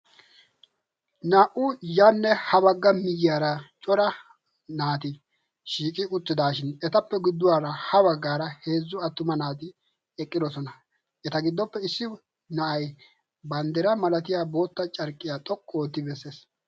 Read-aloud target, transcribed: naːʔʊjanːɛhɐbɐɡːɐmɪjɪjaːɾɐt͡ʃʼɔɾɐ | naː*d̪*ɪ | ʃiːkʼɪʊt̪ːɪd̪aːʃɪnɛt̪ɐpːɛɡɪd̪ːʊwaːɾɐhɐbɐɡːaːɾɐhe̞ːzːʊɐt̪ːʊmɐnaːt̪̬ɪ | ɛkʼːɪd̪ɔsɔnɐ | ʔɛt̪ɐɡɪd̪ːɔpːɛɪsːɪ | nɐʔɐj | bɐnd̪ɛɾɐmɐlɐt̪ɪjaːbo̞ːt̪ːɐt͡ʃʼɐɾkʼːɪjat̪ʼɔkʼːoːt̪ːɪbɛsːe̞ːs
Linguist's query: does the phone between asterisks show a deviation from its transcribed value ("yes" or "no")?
yes